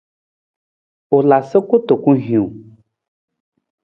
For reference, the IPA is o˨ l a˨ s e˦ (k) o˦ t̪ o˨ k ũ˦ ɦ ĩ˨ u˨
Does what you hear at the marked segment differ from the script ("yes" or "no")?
no